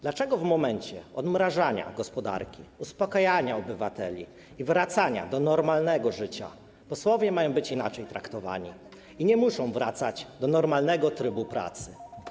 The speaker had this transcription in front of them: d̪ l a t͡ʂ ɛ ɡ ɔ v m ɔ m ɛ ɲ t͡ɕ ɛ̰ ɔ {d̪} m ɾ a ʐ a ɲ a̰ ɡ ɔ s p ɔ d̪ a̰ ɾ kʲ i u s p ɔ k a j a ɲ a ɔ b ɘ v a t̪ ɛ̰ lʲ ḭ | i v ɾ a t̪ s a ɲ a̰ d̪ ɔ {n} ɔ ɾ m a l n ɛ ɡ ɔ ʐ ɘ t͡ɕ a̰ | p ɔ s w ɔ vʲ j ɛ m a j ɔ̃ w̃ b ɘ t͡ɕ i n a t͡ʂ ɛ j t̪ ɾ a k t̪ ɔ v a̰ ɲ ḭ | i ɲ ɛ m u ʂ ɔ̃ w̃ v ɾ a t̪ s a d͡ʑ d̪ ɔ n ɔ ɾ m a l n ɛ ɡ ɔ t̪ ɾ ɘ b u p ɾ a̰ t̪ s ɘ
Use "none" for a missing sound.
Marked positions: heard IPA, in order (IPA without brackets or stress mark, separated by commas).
d̪, n